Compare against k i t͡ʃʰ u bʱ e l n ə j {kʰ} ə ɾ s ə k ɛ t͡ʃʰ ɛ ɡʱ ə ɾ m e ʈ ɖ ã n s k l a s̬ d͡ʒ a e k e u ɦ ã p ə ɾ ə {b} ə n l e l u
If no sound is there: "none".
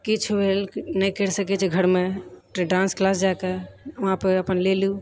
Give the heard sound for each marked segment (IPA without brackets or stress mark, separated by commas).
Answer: k, p